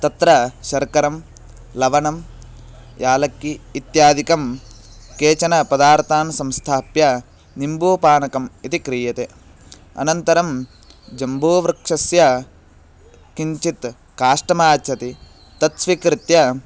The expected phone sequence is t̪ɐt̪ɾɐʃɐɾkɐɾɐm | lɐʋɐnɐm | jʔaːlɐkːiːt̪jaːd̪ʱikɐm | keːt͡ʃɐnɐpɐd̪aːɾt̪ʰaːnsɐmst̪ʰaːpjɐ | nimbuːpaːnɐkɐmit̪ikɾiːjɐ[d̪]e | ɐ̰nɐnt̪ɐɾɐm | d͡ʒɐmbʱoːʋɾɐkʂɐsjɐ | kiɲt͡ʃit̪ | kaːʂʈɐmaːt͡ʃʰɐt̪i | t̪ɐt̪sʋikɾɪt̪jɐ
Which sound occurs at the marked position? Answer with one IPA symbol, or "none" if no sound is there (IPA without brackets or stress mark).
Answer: t̪